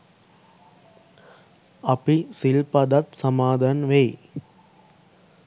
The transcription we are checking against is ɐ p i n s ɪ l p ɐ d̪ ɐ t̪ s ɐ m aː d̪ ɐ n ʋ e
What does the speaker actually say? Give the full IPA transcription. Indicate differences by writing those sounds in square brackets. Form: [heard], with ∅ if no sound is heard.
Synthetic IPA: ɐ p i [∅] s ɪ l p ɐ d̪ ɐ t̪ s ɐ m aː d̪ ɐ n ʋ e